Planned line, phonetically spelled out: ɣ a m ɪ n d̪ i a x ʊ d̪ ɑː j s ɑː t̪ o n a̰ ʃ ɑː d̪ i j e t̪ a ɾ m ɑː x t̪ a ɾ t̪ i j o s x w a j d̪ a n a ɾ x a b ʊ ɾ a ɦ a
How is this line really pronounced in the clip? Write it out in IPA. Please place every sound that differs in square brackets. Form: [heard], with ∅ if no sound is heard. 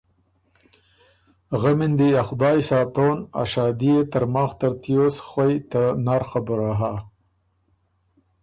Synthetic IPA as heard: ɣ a m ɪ n d̪ i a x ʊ d̪ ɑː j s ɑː t̪ o n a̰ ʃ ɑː d̪ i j e t̪ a ɾ m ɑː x t̪ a ɾ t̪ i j o s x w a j [t̪] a n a ɾ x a b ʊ ɾ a ɦ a